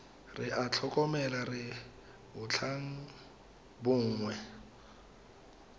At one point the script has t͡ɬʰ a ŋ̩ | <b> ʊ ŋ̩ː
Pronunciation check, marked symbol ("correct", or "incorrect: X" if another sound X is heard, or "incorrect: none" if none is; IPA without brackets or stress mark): correct